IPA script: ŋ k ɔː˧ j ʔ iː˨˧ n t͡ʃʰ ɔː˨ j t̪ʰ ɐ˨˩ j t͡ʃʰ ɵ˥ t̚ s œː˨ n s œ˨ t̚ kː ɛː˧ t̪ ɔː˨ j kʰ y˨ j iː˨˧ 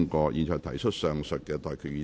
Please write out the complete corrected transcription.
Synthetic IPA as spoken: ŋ k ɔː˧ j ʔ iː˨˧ n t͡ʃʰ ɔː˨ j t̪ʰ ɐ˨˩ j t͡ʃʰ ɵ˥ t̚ s œː˨ ŋ s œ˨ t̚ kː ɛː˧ t̪ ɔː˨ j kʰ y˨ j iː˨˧